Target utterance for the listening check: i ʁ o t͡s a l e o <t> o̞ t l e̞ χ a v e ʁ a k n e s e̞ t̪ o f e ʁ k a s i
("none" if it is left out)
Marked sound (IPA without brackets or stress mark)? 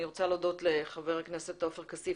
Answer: d